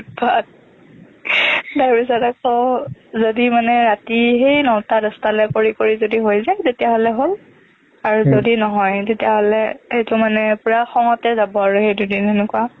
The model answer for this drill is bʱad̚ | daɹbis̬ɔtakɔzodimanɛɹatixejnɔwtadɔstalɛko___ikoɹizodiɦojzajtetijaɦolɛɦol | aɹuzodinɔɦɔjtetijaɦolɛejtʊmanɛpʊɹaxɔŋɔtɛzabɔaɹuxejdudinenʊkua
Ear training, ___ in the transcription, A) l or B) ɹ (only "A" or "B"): B